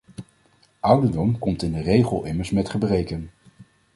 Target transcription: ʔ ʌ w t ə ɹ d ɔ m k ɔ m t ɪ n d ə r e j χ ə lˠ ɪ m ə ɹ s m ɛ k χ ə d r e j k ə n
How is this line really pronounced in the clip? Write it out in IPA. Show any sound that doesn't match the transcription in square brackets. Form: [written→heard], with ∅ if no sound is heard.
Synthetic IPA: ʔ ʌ w [t→d] ə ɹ d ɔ m k ɔ m t ɪ n d ə r e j χ ə lˠ ɪ m ə ɹ s m ɛ [k→t] χ ə [d→b] r e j k ə n